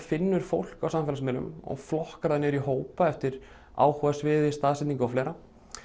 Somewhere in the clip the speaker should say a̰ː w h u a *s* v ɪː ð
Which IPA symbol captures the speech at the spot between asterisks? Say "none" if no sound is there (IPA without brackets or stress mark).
s